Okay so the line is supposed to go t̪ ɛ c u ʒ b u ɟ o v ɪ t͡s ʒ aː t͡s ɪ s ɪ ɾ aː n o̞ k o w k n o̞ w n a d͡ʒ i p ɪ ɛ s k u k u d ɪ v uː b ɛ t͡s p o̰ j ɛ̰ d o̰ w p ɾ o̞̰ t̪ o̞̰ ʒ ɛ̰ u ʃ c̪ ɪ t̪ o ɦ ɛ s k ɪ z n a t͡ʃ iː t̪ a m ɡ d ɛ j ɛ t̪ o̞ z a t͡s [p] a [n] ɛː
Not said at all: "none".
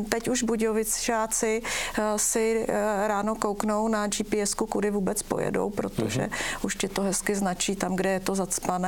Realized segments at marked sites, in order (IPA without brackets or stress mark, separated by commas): p, n